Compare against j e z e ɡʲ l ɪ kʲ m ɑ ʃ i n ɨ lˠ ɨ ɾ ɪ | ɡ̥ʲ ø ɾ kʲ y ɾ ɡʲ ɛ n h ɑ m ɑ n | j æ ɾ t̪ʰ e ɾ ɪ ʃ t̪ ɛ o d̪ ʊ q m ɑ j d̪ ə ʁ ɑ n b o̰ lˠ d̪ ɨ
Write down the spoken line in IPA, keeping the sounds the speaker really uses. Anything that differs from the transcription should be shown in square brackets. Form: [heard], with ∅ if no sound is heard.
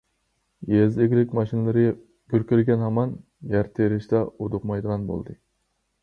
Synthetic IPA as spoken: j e z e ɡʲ l ɪ kʲ m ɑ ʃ i n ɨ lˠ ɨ ɾ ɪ | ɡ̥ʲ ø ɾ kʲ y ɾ ɡʲ ɛ n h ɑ m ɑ n | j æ ɾ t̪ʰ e ɾ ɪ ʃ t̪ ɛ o d̪ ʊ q m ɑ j d̪ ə ʁ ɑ n b o̰ lˠ d̪ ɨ